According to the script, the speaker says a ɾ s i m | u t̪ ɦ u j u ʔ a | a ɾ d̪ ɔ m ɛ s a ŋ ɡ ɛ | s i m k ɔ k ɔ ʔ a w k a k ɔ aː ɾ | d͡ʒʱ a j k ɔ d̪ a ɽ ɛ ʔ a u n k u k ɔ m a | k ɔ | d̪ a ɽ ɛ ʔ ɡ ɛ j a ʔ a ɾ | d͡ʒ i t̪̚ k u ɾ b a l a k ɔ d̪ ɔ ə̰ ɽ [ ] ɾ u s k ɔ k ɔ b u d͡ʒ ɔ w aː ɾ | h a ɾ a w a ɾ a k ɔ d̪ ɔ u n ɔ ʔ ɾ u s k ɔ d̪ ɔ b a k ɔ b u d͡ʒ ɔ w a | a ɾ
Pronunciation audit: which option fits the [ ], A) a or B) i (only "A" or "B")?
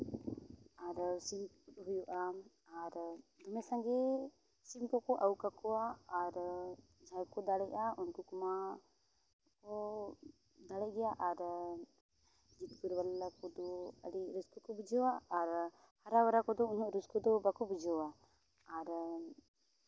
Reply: B